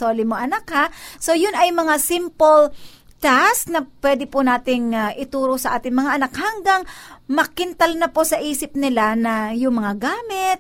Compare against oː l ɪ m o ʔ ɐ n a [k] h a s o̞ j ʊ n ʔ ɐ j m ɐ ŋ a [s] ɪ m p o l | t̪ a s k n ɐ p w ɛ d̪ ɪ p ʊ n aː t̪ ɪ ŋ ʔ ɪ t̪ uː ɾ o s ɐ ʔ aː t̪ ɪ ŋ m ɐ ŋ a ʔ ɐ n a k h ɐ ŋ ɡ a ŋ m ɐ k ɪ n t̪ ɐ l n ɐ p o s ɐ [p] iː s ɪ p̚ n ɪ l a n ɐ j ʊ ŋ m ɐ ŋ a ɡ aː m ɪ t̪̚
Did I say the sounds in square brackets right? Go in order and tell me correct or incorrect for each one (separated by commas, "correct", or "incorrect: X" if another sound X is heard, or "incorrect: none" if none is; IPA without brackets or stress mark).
correct, correct, incorrect: ʔ